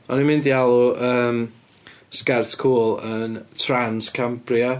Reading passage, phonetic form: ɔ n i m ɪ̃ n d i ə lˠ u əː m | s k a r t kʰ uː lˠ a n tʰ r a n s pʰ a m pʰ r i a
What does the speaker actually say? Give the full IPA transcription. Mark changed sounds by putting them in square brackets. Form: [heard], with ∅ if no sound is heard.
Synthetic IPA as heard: ɔ n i m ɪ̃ n d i [a] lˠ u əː m | s k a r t kʰ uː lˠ [ə] n tʰ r a n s [kʰ] a m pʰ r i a